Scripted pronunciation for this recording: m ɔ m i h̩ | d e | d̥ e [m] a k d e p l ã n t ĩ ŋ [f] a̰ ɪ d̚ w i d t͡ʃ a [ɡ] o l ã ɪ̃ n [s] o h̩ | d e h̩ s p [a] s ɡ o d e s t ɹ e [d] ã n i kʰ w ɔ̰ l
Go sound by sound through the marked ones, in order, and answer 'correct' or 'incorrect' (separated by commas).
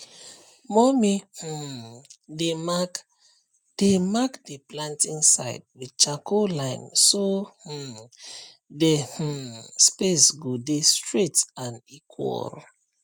correct, incorrect, incorrect, correct, incorrect, incorrect